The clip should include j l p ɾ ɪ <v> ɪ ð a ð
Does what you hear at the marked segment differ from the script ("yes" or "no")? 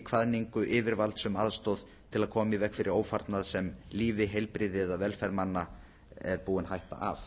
yes